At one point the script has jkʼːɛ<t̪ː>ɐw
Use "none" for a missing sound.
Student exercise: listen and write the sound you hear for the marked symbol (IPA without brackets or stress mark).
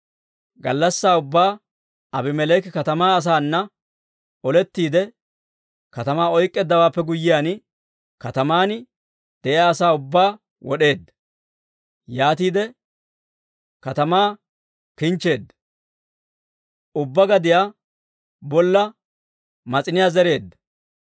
d̪ː